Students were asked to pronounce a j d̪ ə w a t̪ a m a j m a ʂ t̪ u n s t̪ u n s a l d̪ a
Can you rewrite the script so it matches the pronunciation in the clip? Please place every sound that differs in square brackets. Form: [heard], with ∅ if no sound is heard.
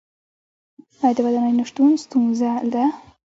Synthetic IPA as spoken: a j d̪ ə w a [d̪] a [n] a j [n] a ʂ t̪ u n s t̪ u n [z] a l d̪ a